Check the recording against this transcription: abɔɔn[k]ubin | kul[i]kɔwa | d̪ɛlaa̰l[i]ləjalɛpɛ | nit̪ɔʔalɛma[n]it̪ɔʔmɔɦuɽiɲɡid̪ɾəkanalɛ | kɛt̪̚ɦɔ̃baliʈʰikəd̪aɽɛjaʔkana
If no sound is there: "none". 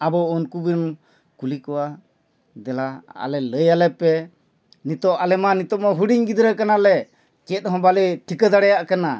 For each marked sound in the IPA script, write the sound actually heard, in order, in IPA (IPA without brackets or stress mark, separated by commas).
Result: k, i, ɛ, n